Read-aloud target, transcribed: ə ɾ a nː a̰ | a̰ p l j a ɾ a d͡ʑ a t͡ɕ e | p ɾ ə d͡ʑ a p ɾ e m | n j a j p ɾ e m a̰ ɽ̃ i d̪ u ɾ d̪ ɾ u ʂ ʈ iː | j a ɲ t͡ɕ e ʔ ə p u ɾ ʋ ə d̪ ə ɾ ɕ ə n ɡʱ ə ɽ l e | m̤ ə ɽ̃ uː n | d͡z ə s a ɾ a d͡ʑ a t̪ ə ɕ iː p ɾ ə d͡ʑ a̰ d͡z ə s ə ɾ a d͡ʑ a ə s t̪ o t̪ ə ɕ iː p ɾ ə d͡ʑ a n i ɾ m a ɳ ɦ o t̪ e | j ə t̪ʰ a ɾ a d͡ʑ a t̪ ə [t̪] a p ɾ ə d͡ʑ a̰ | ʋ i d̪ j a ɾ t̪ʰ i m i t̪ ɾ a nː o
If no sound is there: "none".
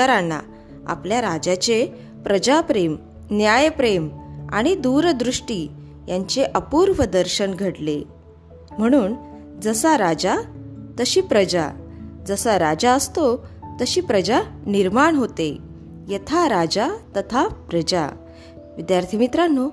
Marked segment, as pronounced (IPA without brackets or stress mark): t̪ʰ